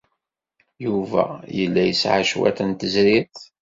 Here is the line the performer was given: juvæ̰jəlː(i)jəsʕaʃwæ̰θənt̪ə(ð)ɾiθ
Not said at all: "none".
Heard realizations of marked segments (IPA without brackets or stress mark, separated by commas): æ, z